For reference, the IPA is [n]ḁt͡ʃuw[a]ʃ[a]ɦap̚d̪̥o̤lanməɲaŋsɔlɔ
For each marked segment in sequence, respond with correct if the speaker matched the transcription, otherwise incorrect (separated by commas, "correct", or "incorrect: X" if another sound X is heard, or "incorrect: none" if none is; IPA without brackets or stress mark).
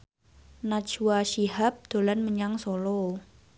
correct, correct, incorrect: i